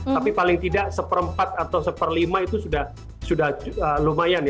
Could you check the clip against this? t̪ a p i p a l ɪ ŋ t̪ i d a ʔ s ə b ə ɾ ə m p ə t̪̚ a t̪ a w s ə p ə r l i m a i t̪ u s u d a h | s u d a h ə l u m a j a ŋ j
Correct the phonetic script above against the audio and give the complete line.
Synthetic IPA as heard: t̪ a p i p a l ɪ ŋ t̪ i d a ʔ s ə p ə ɾ ə m p a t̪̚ a t̪ a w s ə p ə r l i m a i t̪ u s u d a h | s u d a h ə l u m a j a n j